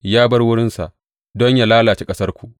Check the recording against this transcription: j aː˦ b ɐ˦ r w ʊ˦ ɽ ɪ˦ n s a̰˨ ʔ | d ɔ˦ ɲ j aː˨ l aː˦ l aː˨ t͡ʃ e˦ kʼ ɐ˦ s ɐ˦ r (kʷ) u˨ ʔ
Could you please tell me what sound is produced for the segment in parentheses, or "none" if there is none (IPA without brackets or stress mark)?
kʷ